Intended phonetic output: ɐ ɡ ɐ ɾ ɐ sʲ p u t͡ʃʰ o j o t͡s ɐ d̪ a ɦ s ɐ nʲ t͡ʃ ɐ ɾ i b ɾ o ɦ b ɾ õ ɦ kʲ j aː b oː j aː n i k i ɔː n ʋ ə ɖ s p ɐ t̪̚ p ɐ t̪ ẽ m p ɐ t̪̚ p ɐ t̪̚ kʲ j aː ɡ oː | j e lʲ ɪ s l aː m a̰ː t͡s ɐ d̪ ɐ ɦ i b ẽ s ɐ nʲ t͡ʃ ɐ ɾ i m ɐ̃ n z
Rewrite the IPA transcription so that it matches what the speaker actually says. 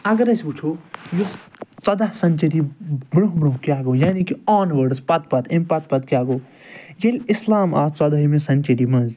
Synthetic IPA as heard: ɐ ɡ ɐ ɾ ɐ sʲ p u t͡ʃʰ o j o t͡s ɐ d̪ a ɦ s ɐ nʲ t͡ʃ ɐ ɾ i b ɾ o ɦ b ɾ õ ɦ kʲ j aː ɡ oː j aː n i k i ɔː n ʋ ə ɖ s p ɐ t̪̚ p ɐ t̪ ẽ m p ɐ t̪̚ p ɐ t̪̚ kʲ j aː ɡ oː | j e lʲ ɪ s l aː m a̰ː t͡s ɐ d̪ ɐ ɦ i m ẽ s ɐ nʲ t͡ʃ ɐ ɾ i m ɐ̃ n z